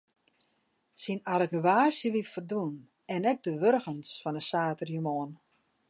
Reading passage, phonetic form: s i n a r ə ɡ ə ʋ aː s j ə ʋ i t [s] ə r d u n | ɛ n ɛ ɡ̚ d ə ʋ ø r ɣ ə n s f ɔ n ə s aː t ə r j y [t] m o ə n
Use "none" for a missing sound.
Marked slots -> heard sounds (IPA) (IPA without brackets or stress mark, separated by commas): f, none